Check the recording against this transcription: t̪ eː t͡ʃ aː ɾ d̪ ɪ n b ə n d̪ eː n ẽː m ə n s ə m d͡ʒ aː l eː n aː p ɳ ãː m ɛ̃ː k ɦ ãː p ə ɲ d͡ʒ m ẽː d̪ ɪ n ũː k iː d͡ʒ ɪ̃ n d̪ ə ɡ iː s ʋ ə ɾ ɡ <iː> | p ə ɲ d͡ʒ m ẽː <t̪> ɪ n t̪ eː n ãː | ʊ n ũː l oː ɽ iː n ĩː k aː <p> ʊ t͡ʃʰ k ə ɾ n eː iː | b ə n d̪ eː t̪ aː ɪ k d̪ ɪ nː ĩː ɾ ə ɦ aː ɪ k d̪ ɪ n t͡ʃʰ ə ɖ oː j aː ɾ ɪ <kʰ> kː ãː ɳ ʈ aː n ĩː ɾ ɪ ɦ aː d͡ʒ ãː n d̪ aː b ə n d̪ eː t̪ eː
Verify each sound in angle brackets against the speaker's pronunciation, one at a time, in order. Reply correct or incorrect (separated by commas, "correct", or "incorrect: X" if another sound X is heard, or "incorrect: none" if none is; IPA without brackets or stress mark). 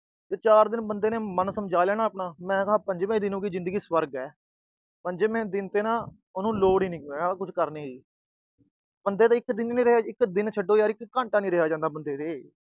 incorrect: ɛː, incorrect: d̪, incorrect: k, incorrect: k